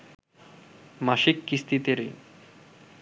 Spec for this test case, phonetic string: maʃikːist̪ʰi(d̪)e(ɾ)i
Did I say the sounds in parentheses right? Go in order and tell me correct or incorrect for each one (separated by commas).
incorrect, correct